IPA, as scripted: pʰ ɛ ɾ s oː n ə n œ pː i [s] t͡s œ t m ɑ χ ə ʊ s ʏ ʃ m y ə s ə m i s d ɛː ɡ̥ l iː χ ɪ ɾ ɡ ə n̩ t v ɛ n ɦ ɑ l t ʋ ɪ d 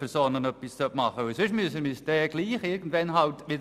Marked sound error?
no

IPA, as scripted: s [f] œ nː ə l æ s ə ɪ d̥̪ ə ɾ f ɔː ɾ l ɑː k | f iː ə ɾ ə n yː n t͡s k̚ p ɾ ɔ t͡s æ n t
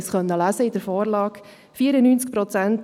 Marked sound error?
yes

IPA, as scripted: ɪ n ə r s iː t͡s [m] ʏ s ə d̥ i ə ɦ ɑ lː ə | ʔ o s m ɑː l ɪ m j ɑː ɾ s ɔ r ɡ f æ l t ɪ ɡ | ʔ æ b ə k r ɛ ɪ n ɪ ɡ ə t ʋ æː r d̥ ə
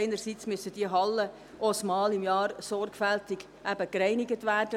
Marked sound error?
no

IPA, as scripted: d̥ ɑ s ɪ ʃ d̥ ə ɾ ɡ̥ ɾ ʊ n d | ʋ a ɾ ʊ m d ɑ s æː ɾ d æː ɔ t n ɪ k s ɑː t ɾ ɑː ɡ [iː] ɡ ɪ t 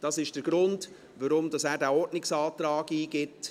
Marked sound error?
no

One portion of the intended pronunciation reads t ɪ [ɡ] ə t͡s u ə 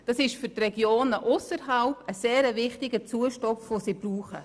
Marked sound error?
no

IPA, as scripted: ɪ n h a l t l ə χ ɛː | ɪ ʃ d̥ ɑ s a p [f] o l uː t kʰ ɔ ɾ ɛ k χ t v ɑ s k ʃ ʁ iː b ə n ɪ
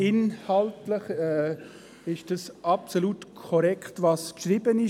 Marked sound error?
yes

